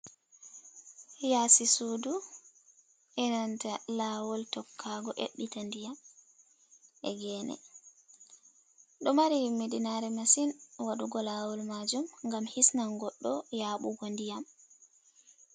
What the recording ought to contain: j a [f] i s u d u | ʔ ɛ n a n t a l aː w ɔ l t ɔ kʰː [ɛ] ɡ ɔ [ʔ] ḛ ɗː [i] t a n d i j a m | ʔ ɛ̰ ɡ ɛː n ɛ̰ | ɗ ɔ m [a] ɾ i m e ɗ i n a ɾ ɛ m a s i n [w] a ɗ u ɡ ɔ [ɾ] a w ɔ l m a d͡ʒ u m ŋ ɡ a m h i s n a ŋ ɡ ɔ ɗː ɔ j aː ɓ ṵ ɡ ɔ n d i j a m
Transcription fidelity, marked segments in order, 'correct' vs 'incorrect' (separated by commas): incorrect, incorrect, correct, correct, correct, correct, incorrect